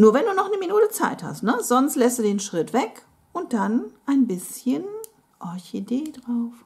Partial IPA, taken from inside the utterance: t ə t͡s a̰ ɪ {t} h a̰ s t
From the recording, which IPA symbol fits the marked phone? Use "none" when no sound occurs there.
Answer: t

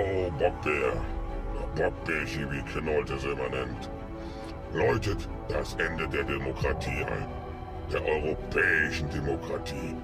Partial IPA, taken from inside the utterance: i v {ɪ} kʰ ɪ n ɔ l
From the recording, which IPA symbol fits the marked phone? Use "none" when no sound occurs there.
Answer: i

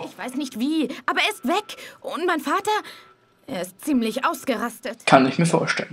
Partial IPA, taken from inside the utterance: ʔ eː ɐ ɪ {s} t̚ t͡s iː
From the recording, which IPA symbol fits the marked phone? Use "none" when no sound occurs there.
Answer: s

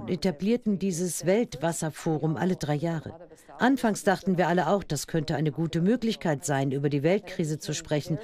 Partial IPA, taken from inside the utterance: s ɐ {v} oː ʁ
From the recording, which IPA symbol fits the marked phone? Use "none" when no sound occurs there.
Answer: f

